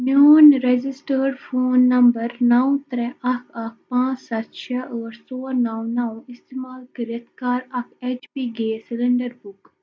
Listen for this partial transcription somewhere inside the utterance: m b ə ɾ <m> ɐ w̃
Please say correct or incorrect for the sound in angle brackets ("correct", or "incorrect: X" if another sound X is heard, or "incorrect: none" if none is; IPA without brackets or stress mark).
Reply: incorrect: n